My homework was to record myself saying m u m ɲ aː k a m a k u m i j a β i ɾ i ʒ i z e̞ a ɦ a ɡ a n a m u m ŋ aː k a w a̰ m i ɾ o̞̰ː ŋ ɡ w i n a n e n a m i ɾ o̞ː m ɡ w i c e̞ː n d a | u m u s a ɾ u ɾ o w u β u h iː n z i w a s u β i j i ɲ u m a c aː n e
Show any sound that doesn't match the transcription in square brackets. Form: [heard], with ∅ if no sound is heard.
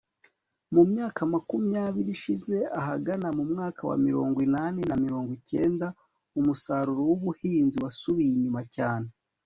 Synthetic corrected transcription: m u m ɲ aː k a m a k u m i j a β i ɾ i [ʃ] i z e̞ a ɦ a ɡ a n a m u m ŋ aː k a w a̰ m i ɾ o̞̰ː ŋ ɡ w i n a n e n a m i ɾ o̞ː [ŋ] ɡ w i c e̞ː n d a | u m u s a ɾ u ɾ o w u β u h iː n z i w a s u β i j i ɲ u m a c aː n e